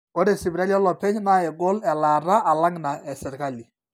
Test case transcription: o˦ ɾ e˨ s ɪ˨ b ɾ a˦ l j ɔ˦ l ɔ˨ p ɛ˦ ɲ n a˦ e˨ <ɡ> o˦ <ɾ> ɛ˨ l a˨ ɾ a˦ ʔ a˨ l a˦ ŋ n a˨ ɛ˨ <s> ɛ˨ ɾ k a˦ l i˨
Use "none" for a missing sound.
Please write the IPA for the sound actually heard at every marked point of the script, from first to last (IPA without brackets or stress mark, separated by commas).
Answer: ɡ, l, s